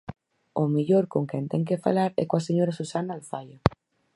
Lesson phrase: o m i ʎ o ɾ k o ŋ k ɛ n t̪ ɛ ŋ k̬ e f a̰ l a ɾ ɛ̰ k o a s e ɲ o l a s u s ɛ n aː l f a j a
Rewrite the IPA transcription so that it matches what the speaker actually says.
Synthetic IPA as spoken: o m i ʎ o ɾ k o ŋ k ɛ n t̪ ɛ ŋ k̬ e f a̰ l a ɾ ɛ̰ k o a s e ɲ o ɾ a s u s a n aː l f a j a